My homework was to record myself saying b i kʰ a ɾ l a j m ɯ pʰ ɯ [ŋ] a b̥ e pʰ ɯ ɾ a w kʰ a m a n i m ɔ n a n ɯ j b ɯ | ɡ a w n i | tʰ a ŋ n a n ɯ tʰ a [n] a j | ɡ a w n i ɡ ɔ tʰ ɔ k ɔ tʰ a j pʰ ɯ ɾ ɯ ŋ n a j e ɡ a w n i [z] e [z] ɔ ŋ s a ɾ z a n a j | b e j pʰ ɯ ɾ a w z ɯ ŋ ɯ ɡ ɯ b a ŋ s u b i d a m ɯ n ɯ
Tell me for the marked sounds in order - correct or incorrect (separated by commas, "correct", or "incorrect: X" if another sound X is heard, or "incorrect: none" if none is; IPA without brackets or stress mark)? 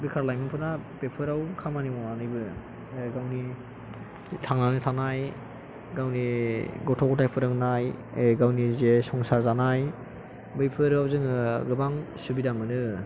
incorrect: n, correct, correct, incorrect: s